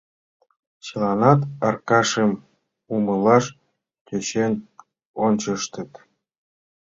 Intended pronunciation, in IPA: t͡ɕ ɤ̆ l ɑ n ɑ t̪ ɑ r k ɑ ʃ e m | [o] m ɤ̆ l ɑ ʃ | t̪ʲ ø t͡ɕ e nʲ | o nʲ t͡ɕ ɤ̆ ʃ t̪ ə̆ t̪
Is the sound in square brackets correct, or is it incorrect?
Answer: incorrect: u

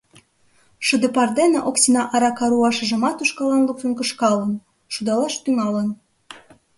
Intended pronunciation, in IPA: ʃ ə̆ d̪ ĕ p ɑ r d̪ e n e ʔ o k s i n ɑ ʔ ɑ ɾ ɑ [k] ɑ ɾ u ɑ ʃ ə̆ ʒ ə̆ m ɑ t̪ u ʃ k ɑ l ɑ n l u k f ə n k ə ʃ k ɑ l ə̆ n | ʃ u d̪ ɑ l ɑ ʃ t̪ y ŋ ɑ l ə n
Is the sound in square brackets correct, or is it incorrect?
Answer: correct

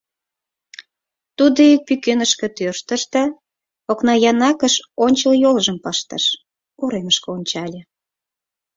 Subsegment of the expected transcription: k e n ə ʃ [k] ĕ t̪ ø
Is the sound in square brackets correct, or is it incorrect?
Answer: correct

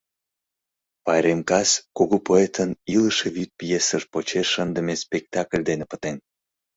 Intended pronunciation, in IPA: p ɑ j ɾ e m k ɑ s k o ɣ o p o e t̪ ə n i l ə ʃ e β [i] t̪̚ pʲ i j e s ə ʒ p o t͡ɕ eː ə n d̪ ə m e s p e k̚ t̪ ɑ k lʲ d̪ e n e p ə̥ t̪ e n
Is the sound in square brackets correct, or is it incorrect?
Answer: incorrect: y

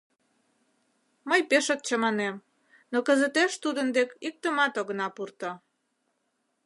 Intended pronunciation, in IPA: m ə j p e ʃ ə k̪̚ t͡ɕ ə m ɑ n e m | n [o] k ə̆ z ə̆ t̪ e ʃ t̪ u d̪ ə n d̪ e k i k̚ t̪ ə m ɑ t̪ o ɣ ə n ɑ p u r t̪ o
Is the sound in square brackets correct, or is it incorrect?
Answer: correct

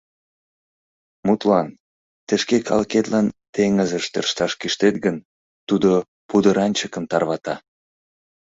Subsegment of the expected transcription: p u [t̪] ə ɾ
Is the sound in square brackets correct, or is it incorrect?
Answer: incorrect: d̪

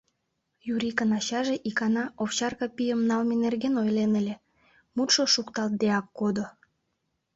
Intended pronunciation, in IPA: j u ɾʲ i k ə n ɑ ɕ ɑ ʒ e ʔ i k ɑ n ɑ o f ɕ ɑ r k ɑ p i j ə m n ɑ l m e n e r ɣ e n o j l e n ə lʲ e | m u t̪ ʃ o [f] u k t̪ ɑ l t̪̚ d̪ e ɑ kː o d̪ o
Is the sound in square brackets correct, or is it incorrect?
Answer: incorrect: ʃ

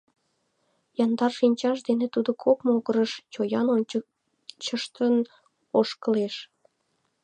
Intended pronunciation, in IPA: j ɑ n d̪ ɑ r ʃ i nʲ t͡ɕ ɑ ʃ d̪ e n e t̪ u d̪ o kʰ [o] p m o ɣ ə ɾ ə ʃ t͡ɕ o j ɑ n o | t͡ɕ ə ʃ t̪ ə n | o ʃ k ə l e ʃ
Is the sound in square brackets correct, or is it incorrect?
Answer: correct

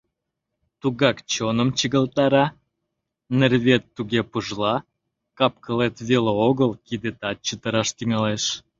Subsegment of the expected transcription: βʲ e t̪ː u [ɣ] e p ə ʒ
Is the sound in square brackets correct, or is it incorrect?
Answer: correct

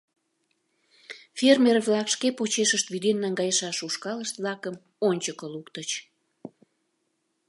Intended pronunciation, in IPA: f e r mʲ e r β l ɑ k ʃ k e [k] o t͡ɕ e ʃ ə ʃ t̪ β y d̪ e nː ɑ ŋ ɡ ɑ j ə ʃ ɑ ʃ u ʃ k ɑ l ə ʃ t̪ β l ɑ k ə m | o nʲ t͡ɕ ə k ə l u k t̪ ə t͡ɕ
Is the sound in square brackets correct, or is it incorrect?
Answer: incorrect: p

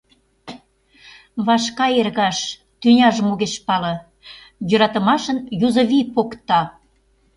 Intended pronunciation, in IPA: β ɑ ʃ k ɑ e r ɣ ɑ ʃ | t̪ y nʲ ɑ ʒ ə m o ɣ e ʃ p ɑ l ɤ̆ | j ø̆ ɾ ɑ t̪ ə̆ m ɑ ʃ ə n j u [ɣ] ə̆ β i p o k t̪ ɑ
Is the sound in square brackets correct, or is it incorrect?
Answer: incorrect: z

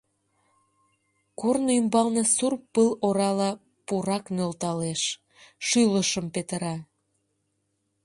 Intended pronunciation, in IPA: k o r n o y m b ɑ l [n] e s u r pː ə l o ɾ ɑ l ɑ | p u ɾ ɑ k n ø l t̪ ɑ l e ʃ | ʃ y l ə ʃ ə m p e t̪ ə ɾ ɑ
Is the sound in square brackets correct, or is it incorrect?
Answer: correct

